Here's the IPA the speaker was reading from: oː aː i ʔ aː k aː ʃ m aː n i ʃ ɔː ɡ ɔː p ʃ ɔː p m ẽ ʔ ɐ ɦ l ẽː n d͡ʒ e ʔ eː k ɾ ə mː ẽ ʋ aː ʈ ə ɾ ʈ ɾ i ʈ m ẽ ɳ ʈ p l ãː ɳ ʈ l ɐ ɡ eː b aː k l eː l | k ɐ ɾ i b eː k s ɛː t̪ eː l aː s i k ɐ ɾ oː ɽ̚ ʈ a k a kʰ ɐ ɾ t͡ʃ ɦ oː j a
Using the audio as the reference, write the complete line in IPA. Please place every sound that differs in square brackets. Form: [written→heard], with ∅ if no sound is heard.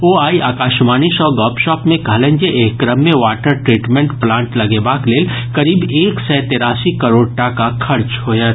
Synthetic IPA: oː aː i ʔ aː k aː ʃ m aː n i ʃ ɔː ɡ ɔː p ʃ ɔː p m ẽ [ʔ→k] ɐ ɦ l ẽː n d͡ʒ e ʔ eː k ɾ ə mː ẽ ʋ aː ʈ ə ɾ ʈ ɾ [i→iː] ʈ m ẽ ɳ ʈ p l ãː ɳ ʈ l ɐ ɡ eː b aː k l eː l | k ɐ ɾ [i→iː] b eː k s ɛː t̪ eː [l→ɾ] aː s i k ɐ ɾ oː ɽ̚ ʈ a k a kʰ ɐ ɾ t͡ʃ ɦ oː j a

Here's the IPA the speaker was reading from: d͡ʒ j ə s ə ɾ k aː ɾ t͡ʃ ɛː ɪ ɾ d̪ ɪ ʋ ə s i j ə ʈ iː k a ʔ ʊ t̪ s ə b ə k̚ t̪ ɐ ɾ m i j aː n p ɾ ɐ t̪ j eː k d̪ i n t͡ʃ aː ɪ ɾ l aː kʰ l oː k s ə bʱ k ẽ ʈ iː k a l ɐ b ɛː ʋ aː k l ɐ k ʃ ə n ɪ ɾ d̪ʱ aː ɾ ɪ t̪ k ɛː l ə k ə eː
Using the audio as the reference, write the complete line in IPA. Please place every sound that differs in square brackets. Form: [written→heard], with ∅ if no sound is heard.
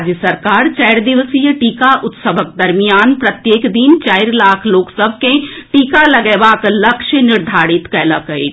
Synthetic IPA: d͡ʒ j ə s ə ɾ k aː ɾ t͡ʃ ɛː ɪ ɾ d̪ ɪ ʋ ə s i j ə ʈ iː k a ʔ ʊ t̪ s ə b ə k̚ [t̪→d̪] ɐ ɾ m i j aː n p ɾ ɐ t̪ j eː k d̪ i n t͡ʃ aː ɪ ɾ l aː kʰ l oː k s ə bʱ k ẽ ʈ iː k a l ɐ [b→ɡ] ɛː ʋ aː k l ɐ k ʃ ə n ɪ ɾ d̪ʱ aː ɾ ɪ t̪ k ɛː l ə k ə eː

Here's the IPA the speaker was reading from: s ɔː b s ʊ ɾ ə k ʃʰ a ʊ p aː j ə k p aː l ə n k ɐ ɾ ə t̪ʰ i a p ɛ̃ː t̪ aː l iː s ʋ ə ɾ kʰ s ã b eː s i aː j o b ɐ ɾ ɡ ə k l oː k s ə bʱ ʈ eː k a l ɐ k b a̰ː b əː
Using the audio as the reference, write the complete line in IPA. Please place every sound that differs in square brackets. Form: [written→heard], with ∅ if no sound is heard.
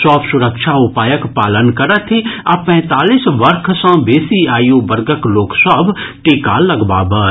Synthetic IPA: s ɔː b s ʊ ɾ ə k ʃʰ a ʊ p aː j ə k p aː l ə n k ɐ ɾ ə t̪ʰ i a p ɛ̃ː t̪ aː l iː s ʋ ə ɾ kʰ s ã b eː s i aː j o b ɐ ɾ ɡ ə k l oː k s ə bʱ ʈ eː k a l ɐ [k→ɡ] b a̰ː b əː

